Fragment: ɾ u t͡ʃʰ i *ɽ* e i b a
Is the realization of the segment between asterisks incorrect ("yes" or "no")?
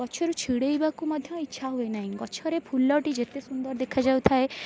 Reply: no